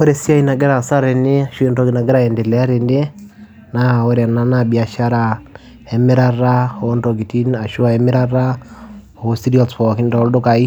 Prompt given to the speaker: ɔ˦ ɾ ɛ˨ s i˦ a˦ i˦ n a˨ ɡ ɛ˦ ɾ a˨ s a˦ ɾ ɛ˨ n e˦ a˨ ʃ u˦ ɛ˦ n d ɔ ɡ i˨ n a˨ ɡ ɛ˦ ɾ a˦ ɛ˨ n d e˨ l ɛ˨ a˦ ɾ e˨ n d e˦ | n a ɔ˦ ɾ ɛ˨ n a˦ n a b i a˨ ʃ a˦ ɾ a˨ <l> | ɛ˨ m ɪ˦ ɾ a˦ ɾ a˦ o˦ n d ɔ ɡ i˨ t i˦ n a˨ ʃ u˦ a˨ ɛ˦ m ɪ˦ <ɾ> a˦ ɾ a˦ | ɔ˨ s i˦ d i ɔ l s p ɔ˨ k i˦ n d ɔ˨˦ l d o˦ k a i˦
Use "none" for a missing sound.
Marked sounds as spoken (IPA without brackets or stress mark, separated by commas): none, ɾ